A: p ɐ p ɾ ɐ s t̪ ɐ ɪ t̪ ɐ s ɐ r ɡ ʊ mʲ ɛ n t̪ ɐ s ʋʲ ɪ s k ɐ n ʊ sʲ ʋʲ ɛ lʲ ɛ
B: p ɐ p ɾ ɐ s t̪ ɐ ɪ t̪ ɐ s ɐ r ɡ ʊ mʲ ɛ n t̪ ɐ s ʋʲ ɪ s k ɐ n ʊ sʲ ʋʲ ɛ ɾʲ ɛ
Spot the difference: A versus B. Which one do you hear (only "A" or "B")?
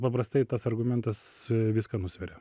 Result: B